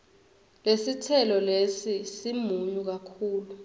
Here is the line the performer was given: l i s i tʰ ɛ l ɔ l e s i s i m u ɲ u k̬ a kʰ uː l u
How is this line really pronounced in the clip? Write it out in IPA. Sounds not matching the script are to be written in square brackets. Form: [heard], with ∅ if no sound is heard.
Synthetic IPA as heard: l [e] s i tʰ ɛ l ɔ l e s i s i m u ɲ u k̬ a kʰ uː l u